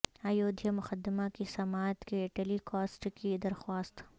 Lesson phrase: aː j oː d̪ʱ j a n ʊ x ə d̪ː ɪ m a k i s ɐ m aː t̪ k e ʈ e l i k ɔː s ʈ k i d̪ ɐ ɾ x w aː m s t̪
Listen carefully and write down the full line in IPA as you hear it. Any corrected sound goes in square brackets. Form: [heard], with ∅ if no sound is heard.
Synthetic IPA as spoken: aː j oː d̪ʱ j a [m] ʊ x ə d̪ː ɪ m a k i s ɐ m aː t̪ k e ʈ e l i k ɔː s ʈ k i d̪ ɐ ɾ x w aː [∅] s t̪